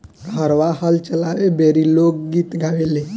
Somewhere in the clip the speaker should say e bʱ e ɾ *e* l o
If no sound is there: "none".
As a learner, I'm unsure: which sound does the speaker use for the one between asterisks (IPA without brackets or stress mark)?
i